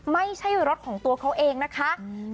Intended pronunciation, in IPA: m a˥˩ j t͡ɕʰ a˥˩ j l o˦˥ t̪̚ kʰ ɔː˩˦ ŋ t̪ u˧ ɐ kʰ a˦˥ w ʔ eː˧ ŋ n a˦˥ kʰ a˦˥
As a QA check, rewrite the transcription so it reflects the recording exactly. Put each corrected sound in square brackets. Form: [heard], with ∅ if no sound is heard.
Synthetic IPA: m a˥˩ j t͡ɕʰ a˥˩ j [ɾ] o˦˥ t̪̚ kʰ ɔː˩˦ ŋ t̪ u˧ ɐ kʰ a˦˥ w ʔ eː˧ ŋ n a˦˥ kʰ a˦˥